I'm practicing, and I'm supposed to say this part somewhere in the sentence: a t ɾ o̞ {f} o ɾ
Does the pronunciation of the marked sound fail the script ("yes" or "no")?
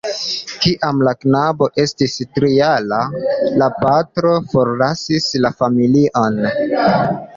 no